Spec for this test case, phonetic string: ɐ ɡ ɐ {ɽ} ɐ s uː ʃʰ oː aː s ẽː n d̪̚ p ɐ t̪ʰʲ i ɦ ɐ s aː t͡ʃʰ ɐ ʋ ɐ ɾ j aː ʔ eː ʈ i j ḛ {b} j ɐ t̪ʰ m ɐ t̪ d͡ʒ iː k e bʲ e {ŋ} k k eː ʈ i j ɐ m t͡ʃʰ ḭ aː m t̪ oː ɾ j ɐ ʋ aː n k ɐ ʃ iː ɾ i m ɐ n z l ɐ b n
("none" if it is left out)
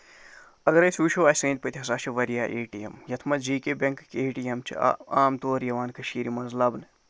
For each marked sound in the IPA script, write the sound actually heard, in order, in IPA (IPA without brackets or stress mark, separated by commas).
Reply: ɾ, m, ŋ